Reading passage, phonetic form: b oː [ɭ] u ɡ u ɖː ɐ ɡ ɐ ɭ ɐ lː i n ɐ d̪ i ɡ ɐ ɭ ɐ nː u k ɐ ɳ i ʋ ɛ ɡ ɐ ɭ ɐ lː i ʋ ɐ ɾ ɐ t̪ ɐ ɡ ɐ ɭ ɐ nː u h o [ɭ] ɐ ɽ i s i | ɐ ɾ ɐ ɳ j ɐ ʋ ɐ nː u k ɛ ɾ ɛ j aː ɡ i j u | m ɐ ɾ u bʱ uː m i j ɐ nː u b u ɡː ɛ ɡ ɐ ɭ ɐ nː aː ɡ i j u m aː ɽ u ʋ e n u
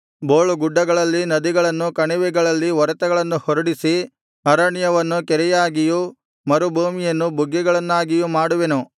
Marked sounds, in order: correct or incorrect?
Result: correct, incorrect

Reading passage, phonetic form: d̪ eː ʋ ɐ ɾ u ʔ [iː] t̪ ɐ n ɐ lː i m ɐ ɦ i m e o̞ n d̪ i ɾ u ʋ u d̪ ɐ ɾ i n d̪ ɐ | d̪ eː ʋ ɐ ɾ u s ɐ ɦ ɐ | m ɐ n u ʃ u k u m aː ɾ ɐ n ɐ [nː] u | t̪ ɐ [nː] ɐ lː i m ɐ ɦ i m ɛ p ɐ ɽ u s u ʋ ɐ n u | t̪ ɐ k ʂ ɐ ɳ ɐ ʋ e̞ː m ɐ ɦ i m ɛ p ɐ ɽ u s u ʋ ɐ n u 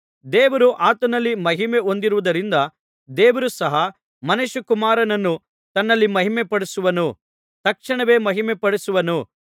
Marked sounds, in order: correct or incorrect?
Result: incorrect, correct, correct

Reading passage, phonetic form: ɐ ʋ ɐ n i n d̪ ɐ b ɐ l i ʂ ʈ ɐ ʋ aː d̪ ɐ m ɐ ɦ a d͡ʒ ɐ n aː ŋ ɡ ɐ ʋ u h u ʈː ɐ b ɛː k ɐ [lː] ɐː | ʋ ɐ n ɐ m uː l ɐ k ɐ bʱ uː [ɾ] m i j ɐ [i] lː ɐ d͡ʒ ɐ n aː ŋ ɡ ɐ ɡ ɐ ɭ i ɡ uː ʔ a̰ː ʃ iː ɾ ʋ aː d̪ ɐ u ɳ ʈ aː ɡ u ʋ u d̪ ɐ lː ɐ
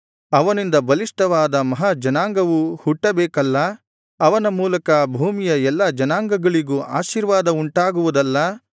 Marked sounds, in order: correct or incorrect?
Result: correct, incorrect, incorrect

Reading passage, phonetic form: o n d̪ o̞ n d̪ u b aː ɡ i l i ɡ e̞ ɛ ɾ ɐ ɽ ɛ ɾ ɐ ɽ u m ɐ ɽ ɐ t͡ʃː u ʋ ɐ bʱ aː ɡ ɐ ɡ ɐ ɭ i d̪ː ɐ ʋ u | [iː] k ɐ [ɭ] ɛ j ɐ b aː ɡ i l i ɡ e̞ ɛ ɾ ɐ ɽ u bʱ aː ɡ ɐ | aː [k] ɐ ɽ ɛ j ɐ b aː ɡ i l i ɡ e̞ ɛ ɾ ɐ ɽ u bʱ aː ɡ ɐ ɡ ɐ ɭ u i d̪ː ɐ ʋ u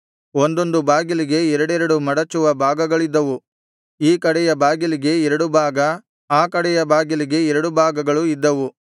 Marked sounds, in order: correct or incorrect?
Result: correct, incorrect, correct

